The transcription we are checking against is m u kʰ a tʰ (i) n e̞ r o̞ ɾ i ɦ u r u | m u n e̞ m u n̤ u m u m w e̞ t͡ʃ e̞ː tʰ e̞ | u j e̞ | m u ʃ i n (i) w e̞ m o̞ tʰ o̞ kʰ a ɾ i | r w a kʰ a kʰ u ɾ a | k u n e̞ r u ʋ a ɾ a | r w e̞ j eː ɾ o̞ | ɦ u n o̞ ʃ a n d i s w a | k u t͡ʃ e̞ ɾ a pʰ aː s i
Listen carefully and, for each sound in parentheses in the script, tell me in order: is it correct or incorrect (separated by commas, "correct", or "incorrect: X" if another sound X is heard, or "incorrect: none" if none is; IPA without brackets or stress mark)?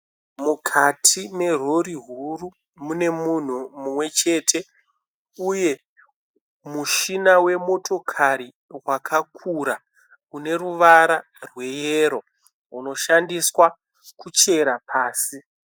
correct, incorrect: a